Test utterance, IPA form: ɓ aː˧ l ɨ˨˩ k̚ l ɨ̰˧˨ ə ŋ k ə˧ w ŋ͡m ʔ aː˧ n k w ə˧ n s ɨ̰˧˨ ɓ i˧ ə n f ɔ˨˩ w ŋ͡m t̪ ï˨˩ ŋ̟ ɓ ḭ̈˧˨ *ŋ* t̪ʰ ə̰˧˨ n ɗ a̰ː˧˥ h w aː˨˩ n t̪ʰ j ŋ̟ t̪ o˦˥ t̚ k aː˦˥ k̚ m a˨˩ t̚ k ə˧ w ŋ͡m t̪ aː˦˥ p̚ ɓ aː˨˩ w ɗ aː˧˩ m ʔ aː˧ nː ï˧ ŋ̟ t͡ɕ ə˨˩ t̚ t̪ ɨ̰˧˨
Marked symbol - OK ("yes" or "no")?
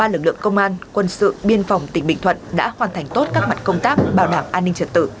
yes